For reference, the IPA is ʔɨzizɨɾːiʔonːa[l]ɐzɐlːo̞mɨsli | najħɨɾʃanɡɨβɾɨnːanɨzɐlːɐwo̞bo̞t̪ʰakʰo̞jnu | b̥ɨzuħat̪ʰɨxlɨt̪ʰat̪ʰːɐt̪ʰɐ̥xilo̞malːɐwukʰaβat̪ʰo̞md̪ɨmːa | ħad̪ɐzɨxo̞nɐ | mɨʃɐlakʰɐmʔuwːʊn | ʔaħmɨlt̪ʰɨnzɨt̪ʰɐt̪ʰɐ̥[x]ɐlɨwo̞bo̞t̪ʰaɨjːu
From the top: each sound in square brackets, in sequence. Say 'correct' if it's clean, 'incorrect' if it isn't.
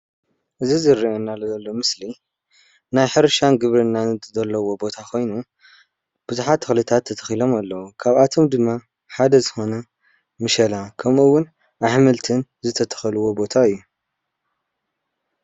correct, correct

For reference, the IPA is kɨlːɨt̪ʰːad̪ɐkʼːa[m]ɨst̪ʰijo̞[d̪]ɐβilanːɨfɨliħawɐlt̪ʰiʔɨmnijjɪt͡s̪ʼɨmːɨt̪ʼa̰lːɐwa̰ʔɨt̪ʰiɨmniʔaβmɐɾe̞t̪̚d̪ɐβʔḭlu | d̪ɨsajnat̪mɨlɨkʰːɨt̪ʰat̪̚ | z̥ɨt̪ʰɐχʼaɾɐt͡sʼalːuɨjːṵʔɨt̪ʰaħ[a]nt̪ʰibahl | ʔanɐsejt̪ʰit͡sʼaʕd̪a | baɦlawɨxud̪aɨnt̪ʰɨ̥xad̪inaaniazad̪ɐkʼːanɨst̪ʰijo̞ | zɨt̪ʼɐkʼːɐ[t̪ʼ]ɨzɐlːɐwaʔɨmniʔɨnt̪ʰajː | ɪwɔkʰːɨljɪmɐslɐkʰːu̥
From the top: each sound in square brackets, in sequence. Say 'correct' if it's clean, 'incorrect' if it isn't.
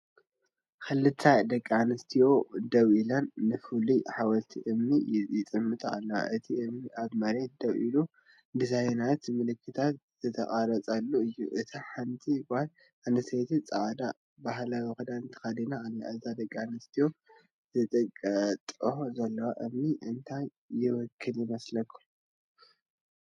incorrect, correct, correct, correct

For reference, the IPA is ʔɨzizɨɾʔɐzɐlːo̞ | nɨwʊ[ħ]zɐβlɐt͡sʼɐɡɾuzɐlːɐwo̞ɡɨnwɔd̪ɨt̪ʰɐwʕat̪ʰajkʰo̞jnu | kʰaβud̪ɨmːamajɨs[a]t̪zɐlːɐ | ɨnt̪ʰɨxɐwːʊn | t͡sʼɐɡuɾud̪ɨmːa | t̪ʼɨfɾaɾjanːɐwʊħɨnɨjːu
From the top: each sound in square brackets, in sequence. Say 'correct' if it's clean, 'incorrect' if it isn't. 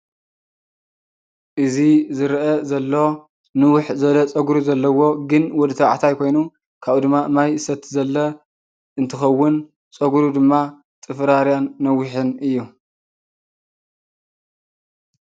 correct, incorrect

